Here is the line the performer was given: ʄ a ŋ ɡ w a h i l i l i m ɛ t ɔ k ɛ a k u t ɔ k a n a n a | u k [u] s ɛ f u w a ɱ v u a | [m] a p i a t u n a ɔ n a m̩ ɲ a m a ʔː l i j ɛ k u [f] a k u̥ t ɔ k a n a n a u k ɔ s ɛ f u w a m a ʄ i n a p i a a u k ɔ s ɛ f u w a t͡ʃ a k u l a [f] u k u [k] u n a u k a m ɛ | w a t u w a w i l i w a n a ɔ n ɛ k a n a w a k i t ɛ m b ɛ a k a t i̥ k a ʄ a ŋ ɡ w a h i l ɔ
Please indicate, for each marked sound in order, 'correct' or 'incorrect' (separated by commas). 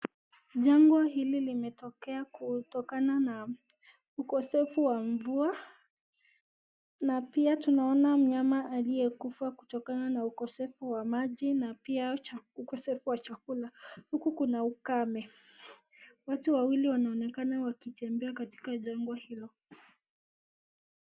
incorrect, incorrect, correct, incorrect, correct